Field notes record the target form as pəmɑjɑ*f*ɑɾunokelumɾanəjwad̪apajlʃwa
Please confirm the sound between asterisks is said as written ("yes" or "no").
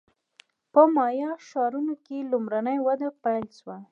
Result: no